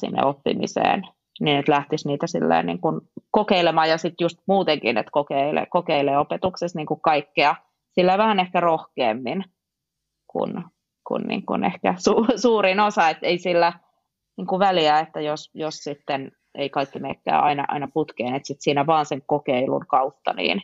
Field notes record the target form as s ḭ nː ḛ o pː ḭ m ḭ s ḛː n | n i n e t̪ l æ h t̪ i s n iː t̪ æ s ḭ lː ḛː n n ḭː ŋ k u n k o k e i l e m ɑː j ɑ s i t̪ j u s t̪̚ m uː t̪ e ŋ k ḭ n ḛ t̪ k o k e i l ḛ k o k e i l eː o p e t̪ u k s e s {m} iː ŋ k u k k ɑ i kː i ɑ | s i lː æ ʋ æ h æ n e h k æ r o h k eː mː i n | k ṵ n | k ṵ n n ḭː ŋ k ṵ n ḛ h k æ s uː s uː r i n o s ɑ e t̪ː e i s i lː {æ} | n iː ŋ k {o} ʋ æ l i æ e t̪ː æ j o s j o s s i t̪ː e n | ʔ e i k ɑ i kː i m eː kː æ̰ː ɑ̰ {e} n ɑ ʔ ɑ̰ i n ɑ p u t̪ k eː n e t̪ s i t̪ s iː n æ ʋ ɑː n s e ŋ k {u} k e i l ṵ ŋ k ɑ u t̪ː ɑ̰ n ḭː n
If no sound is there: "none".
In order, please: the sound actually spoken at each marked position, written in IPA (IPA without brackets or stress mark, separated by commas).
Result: n, æ, u, i, o